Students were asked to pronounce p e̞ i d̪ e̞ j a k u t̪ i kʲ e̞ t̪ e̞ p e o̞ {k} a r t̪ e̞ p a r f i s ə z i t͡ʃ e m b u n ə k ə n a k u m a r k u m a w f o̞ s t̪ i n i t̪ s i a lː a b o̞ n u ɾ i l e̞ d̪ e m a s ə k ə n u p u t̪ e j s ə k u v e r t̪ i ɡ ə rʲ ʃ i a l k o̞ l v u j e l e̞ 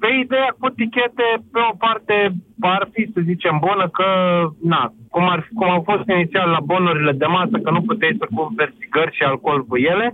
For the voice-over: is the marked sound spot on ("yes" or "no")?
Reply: no